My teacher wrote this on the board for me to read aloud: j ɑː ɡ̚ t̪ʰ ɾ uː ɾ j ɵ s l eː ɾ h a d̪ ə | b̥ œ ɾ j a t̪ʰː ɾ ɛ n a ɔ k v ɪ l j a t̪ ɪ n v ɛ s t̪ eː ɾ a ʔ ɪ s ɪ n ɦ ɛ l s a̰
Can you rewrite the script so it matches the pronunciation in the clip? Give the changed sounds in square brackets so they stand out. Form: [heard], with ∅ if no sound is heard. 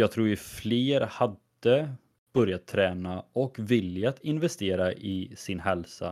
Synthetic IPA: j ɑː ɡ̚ t̪ʰ ɾ uː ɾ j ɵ [f] l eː ɾ h a d̪ ə | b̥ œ ɾ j a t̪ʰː ɾ [ɛː] n a ɔ k v ɪ l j a t̪ ɪ n v ɛ s t̪ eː ɾ a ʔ ɪ s ɪ n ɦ ɛ l s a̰